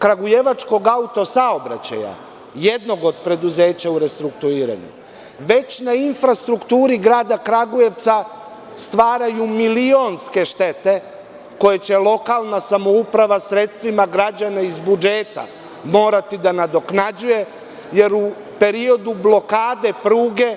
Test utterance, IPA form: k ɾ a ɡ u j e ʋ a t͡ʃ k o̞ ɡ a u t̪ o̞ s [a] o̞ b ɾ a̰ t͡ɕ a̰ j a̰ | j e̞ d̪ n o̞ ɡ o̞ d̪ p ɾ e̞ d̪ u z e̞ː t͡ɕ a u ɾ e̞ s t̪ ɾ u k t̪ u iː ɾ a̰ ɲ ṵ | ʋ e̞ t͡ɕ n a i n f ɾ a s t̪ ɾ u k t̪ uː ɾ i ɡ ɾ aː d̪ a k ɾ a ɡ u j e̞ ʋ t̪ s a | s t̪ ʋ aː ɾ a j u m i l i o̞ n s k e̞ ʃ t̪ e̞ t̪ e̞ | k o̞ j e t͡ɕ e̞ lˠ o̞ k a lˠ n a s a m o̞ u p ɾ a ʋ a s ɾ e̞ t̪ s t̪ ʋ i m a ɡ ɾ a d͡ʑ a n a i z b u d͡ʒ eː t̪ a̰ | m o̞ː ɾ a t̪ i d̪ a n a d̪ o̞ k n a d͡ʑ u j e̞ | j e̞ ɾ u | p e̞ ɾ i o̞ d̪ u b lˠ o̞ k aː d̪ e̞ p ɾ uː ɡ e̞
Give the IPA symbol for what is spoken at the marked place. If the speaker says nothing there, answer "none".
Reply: a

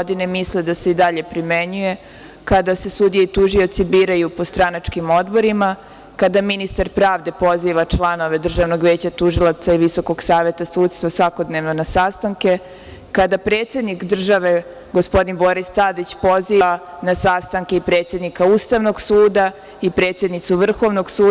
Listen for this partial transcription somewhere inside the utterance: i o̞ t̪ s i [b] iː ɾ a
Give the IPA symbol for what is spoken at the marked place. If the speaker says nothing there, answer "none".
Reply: b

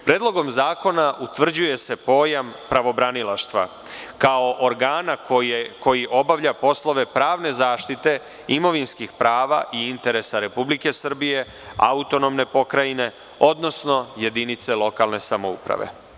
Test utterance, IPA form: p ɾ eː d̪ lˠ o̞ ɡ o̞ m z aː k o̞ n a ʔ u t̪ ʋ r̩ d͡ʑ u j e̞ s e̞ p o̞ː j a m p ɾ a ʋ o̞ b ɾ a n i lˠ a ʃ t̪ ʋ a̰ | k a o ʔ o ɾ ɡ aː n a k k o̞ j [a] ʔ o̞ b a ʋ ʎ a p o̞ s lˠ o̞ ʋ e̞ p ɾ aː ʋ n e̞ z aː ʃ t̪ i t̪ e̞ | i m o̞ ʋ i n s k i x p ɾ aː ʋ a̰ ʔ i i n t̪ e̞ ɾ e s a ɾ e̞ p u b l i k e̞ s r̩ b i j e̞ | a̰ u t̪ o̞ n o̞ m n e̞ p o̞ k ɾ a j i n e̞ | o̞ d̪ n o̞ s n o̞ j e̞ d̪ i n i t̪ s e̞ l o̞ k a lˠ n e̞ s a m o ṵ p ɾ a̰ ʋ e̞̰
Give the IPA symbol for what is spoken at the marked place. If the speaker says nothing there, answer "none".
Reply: i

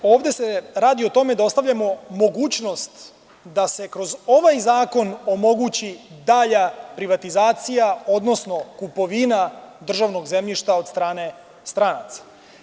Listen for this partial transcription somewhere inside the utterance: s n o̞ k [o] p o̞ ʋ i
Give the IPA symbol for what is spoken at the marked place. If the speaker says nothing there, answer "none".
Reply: u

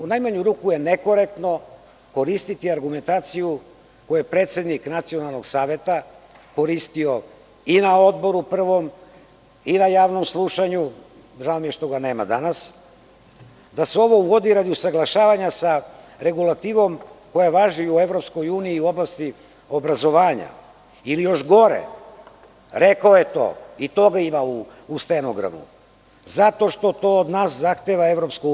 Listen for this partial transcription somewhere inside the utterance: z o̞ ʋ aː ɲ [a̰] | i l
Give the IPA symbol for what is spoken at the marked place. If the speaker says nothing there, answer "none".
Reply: a̰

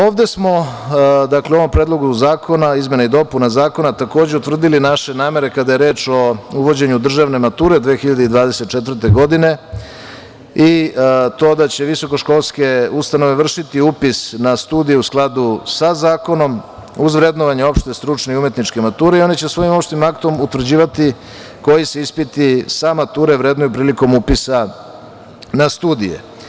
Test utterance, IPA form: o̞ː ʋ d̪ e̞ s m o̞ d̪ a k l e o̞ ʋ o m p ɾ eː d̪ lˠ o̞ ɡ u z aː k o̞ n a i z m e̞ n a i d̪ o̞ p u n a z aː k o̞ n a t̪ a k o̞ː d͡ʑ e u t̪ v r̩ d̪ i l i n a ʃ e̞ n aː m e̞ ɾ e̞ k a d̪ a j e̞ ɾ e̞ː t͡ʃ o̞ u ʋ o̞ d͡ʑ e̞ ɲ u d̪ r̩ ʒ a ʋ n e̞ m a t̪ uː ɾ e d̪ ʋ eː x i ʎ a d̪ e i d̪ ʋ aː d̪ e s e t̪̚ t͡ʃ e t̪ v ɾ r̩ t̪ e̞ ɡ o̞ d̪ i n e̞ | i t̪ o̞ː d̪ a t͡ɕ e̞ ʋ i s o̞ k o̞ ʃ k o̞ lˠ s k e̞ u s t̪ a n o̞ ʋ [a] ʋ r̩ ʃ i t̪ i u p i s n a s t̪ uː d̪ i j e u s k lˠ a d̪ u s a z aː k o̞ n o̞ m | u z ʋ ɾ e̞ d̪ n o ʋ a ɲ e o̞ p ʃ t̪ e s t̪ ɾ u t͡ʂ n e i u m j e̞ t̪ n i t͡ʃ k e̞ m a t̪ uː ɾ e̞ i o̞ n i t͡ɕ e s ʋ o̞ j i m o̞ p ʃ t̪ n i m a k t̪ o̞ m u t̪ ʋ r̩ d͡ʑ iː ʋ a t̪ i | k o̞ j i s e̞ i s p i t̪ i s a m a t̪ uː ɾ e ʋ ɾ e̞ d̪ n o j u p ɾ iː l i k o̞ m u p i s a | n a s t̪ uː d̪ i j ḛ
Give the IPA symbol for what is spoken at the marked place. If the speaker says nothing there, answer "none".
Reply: e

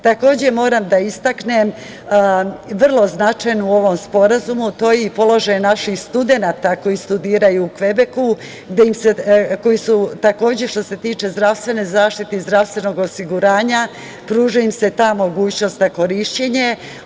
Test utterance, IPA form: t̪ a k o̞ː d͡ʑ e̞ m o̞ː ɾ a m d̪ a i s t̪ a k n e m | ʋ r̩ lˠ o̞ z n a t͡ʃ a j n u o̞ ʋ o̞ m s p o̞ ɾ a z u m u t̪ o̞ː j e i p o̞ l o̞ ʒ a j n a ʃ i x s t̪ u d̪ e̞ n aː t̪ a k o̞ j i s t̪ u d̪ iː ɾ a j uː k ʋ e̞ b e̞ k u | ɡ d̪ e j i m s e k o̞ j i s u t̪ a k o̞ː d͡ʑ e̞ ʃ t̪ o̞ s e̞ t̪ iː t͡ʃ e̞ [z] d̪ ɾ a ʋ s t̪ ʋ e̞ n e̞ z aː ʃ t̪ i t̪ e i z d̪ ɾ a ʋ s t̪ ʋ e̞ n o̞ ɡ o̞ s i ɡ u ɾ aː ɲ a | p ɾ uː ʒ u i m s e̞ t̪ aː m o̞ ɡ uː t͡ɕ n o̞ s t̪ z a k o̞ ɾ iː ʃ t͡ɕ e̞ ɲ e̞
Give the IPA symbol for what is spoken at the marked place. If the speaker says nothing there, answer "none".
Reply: z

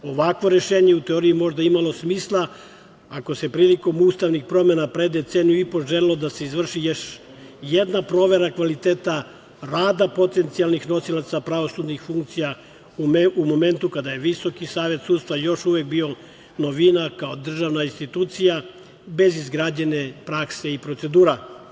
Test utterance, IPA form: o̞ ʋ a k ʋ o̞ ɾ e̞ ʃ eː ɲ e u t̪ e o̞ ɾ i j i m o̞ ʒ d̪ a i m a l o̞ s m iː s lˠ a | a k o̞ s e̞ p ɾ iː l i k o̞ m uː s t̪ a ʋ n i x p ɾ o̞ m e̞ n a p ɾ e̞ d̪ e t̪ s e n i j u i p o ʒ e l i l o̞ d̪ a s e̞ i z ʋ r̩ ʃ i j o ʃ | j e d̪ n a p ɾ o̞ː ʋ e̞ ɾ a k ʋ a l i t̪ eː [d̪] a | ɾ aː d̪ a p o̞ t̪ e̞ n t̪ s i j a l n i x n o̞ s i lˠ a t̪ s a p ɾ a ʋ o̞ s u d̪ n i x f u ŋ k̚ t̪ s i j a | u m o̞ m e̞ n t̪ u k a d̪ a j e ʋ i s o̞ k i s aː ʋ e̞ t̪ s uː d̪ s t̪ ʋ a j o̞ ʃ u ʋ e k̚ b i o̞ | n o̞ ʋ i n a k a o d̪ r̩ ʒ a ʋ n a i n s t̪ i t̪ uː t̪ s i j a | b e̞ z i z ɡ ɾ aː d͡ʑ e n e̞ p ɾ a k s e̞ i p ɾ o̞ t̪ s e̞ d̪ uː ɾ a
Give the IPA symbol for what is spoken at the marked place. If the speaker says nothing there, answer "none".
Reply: t̪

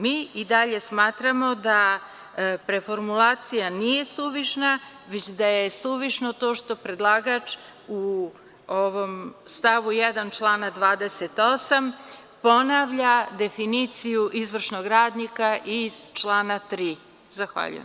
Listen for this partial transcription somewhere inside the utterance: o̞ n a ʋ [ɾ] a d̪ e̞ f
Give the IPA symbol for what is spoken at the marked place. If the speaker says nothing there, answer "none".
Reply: ʎ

